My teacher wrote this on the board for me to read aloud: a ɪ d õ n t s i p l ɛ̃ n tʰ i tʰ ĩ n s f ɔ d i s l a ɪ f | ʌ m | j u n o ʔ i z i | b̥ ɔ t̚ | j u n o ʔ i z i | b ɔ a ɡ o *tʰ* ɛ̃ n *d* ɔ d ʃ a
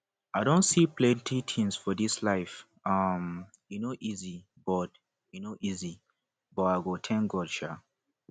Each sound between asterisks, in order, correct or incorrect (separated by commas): correct, incorrect